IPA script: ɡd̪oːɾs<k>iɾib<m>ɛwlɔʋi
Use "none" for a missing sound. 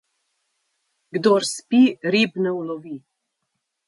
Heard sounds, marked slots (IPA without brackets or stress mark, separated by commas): p, n